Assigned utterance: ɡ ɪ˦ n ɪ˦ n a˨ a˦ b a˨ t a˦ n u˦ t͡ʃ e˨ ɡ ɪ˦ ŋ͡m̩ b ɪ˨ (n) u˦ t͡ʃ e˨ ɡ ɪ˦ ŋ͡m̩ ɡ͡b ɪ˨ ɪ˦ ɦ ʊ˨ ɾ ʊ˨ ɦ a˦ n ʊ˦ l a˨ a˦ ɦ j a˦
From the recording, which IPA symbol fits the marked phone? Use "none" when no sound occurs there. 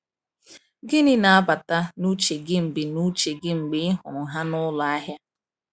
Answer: n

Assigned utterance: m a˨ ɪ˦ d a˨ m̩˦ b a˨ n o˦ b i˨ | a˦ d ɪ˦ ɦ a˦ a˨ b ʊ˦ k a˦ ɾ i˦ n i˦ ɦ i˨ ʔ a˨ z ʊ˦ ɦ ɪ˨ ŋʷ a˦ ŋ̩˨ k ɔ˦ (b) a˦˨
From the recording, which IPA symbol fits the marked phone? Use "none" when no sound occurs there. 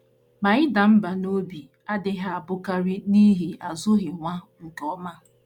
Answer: m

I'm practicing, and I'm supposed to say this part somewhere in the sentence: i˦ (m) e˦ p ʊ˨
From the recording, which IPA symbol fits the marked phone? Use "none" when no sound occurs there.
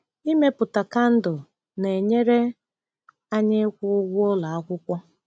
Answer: m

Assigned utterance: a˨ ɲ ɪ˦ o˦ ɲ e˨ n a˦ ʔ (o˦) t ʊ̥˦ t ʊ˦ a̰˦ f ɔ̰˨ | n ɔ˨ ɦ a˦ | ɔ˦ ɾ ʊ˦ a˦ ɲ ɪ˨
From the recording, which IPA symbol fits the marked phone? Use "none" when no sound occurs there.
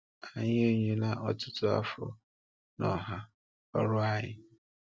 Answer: ɔ˦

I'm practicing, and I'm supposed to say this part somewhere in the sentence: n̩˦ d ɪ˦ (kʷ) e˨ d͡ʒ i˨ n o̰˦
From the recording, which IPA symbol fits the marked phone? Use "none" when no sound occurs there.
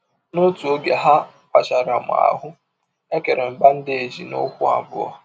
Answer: none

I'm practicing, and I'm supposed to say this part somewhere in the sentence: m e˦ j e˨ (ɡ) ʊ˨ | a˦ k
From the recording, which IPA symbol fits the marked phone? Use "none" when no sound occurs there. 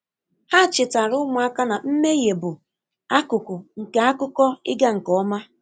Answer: b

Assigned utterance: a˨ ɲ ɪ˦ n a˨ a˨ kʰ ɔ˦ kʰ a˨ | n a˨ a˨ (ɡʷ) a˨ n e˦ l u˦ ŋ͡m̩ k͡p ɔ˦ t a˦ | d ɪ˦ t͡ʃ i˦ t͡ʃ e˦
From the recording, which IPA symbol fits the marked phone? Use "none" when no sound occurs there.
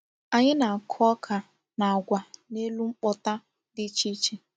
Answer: ɡʷ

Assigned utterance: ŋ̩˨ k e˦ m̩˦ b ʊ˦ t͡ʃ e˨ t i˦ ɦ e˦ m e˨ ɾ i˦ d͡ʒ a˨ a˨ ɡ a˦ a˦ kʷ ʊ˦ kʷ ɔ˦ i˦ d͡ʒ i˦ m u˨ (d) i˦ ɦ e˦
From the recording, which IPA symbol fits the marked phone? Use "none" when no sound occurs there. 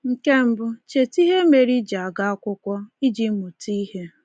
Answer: t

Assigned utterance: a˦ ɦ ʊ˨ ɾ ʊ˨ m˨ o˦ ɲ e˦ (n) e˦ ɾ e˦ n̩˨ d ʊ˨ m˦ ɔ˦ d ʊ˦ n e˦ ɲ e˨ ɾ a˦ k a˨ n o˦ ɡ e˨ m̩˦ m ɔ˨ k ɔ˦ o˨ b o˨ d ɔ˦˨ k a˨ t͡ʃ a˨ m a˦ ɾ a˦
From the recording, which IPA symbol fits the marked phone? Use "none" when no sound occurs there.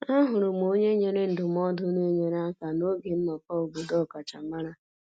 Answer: ɲ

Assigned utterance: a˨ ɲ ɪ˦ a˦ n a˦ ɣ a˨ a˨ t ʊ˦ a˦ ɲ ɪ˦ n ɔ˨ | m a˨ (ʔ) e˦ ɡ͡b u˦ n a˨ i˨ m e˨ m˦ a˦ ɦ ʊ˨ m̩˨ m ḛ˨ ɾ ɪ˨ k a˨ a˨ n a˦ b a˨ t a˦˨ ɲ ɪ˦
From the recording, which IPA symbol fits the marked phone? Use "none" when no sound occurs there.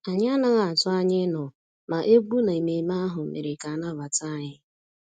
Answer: ʔ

